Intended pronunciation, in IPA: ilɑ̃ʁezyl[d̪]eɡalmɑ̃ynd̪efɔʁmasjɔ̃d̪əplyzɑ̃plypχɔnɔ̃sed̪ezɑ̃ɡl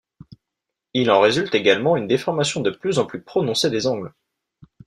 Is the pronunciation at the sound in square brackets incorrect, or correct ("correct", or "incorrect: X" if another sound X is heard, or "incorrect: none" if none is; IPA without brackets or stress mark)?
incorrect: t̪